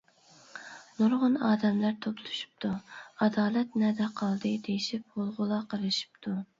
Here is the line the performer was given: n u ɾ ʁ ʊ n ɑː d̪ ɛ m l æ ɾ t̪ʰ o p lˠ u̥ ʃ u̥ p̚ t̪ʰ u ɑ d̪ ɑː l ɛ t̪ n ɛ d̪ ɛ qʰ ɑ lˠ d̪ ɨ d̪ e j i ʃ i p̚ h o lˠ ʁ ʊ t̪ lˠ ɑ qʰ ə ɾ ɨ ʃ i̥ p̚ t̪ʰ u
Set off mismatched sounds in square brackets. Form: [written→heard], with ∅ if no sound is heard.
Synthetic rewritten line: n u ɾ ʁ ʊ n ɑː d̪ ɛ m l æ ɾ t̪ʰ o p lˠ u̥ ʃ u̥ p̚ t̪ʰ u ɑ d̪ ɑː l ɛ t̪ n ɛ d̪ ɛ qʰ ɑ lˠ d̪ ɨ d̪ e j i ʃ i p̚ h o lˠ ʁ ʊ [t̪→∅] lˠ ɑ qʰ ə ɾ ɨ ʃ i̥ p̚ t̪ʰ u